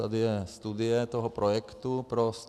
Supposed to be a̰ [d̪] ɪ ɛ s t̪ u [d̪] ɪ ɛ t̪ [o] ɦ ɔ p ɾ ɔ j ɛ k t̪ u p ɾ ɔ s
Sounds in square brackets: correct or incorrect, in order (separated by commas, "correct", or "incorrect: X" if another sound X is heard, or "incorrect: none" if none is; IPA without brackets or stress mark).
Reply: correct, correct, incorrect: ɔ